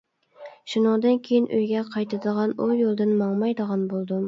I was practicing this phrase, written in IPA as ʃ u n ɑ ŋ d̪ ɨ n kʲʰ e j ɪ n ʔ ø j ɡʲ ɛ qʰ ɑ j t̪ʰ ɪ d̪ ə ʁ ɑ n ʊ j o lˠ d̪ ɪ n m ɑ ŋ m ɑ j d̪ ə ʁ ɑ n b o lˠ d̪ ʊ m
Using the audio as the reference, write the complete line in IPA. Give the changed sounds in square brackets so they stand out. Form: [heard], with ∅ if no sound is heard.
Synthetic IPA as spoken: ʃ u n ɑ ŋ d̪ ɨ n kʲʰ e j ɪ n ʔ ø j ɡʲ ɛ qʰ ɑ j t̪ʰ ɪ d̪ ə ʁ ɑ n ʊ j o lˠ d̪ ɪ n m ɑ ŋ m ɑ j d̪ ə ʁ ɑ n b o lˠ d̪ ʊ m